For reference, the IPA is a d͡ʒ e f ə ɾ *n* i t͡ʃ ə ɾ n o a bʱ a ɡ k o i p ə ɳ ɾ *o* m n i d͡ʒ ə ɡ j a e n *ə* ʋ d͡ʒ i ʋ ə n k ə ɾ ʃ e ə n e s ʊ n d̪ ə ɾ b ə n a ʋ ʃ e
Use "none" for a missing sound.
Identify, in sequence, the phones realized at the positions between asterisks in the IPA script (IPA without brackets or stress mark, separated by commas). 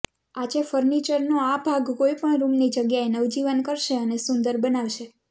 n, u, ə